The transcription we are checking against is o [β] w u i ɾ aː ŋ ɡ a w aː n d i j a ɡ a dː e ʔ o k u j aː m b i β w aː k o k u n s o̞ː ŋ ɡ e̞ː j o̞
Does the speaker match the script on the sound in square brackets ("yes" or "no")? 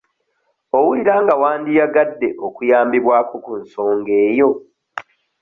no